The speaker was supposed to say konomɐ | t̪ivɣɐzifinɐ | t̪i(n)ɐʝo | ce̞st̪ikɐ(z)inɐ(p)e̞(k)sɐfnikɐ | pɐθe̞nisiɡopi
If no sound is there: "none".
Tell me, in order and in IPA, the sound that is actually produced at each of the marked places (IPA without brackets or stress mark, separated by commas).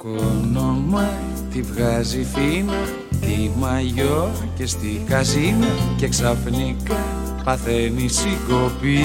m, z, c, k